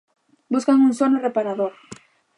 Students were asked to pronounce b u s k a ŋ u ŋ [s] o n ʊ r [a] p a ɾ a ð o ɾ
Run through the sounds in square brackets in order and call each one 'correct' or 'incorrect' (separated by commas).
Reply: correct, incorrect